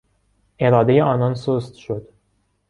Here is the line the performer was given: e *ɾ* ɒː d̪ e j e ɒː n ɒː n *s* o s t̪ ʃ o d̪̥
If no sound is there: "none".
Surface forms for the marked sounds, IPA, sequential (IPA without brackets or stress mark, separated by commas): ɾ, s